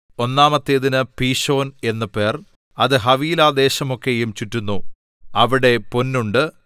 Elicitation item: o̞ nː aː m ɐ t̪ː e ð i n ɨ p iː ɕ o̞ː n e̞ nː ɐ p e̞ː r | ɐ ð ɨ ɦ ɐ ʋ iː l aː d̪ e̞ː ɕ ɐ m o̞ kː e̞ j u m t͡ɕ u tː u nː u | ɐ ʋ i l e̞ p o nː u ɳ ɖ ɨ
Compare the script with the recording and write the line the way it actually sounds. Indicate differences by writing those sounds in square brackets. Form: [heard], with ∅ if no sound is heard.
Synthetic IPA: o̞ nː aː m ɐ t̪ː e ð i n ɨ p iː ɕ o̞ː n e̞ nː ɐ p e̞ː r | ɐ ð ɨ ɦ ɐ ʋ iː l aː d̪ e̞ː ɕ ɐ m o̞ kː e̞ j u m t͡ɕ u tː u nː u | ɐ ʋ i [ɽ] e̞ p o nː u ɳ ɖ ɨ